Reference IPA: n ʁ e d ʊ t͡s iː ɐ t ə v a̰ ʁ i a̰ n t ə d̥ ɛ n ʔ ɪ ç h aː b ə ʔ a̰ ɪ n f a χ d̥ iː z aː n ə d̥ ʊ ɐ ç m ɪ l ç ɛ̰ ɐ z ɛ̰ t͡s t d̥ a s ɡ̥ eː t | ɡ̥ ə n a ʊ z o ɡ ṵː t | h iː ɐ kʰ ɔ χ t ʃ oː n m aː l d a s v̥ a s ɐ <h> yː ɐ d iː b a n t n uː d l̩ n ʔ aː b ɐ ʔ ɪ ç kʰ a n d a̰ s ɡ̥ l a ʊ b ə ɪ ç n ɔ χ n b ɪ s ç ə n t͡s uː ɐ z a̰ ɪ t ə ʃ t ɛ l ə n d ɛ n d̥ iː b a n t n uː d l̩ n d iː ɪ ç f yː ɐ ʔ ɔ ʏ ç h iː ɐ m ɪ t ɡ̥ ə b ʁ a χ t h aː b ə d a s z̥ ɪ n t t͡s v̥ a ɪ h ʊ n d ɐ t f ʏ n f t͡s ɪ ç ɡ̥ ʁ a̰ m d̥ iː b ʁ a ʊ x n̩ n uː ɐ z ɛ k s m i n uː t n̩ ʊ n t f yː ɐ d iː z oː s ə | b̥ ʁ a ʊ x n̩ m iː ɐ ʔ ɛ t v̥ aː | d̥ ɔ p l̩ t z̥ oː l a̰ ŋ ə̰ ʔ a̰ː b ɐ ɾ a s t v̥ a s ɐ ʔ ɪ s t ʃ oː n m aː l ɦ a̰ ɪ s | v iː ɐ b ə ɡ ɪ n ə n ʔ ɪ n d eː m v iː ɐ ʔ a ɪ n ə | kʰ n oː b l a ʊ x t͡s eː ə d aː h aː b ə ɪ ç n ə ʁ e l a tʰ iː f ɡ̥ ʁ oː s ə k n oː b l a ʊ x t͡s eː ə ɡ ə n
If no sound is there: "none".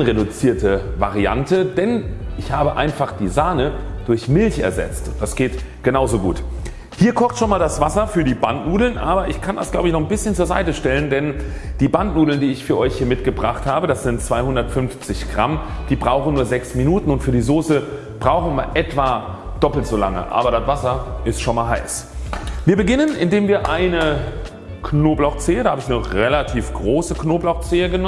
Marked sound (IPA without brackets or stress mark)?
f